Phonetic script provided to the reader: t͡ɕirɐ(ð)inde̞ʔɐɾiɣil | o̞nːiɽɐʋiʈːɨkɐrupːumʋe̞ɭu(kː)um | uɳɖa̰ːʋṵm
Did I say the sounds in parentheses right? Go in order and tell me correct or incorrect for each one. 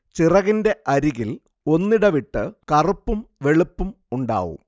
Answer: incorrect, incorrect

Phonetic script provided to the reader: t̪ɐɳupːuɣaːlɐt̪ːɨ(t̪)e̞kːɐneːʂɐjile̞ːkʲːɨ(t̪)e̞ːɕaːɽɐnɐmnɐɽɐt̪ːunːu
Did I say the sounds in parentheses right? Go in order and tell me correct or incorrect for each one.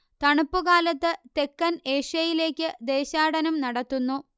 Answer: correct, incorrect

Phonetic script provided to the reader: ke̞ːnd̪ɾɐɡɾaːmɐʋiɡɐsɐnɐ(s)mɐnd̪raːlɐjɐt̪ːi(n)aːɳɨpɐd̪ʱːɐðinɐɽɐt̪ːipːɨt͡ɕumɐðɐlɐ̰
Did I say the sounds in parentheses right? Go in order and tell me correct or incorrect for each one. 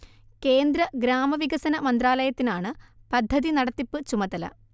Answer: incorrect, correct

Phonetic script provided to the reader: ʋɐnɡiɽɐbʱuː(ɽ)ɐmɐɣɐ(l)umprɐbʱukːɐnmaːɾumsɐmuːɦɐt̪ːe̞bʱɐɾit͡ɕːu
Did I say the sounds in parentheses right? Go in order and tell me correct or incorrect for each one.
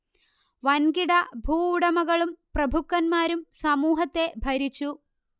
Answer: correct, incorrect

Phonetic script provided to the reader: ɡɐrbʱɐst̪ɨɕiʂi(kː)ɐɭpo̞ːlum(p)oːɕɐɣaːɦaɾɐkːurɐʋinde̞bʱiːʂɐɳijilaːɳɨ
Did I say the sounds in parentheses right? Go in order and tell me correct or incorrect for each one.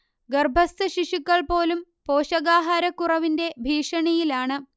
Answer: correct, correct

